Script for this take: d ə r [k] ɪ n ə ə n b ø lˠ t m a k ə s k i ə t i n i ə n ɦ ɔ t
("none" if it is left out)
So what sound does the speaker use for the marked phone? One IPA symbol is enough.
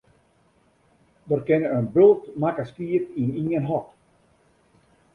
k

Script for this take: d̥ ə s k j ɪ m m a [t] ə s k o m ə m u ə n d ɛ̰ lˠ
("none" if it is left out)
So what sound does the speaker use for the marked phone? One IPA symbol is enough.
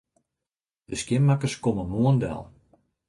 k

